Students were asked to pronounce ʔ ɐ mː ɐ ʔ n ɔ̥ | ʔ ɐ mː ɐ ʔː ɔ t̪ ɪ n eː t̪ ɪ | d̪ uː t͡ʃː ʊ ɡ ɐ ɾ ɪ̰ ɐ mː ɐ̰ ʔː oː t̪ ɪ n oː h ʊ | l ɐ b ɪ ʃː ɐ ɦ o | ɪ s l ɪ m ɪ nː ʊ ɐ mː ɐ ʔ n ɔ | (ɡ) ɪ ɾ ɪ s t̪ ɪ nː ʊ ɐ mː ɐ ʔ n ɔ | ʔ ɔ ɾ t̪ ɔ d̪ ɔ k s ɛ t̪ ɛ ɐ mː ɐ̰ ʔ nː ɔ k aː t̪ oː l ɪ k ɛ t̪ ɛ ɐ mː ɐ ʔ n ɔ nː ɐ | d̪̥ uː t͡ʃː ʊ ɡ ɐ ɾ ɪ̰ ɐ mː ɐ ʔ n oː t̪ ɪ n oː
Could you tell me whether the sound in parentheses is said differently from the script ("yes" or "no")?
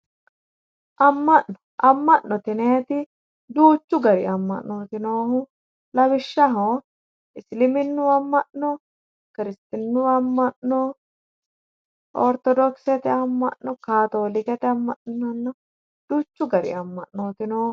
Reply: yes